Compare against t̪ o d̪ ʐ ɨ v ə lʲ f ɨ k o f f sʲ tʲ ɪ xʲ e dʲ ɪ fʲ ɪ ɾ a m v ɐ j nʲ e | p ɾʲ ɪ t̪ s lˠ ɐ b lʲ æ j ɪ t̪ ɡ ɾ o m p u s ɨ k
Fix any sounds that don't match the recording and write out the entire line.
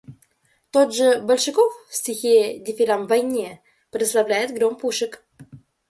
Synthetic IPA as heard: t̪ o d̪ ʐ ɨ b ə lʲ ʂ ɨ k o f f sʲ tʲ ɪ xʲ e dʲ ɪ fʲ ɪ ɾ a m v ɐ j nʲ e | p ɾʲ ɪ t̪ s lˠ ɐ v lʲ æ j ɪ t̪ ɡ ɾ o m p u ʂ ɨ k